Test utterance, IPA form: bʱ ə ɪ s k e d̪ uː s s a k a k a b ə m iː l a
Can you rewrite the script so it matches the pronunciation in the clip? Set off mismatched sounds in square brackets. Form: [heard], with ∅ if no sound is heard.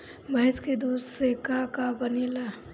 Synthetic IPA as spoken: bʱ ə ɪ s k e d̪ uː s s [e] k a k a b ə [n] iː l a